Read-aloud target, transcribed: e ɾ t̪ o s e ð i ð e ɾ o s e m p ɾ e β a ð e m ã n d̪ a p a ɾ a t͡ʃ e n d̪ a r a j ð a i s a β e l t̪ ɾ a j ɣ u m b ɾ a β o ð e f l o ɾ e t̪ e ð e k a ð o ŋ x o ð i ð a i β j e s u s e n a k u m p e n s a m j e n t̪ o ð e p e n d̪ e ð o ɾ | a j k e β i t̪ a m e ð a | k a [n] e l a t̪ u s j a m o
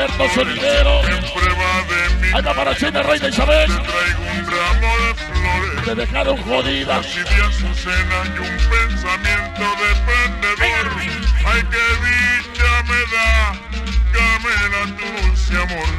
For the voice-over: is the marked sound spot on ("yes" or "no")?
no